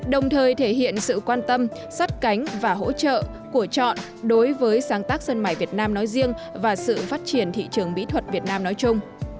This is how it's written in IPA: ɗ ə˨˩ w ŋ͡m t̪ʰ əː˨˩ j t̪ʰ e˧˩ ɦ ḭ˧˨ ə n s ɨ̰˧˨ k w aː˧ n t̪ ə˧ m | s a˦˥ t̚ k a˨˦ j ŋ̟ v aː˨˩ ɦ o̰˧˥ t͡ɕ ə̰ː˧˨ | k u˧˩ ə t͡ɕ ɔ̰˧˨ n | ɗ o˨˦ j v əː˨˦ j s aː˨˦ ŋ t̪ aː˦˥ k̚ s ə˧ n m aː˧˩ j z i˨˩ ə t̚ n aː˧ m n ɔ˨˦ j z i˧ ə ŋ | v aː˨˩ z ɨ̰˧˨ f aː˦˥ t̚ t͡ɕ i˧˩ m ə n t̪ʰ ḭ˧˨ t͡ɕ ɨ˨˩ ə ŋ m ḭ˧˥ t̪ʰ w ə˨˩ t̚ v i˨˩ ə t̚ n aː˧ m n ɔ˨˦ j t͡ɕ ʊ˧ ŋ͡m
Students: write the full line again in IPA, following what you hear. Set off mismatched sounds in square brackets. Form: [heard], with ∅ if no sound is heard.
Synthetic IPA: ɗ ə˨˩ w ŋ͡m t̪ʰ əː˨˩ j t̪ʰ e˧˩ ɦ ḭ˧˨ ə n s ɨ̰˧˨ k w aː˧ n t̪ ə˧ m | s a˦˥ t̚ k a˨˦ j ŋ̟ v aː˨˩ ɦ o̰˧˥ t͡ɕ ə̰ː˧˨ | k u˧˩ ə t͡ɕ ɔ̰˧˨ n | ɗ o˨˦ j v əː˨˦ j s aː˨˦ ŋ t̪ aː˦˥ k̚ s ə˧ n m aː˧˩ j [v] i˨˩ ə t̚ n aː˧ m n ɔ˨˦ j z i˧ ə ŋ | v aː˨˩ [s] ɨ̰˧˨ f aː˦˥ t̚ t͡ɕ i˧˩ [∅] ə n t̪ʰ ḭ˧˨ t͡ɕ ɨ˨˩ ə ŋ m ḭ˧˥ t̪ʰ w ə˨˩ t̚ v i˨˩ ə t̚ n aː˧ m n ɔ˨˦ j t͡ɕ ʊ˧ ŋ͡m